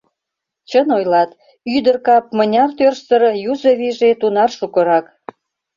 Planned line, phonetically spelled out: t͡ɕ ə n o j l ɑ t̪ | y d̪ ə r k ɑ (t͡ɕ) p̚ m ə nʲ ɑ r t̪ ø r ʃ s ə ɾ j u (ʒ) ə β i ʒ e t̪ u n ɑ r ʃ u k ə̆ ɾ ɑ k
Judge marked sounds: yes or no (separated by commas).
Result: no, no